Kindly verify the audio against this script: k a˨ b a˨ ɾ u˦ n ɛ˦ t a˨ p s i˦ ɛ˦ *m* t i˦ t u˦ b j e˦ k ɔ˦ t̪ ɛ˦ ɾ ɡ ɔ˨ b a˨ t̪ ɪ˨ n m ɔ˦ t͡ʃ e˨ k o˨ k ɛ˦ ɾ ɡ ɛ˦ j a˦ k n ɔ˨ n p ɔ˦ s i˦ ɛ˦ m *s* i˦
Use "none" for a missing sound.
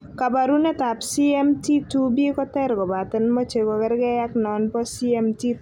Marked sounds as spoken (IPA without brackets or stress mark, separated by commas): m, t